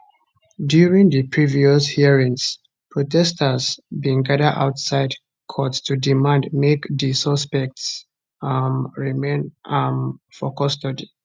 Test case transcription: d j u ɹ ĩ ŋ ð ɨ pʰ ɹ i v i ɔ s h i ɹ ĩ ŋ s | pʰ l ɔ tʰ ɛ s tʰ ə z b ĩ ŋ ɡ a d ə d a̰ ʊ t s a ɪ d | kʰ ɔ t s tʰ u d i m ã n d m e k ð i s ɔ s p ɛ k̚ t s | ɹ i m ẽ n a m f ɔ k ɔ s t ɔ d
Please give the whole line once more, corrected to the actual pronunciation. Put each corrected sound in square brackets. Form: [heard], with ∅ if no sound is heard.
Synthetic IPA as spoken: d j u ɹ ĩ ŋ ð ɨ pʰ ɹ i v i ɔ s h i ɹ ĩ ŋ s | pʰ [ɹ] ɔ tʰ ɛ s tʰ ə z b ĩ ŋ ɡ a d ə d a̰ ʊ t s a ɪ d | kʰ ɔ t s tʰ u d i m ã n d m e k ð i s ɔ s p ɛ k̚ t s | ɹ i m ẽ n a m f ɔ k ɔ s t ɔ d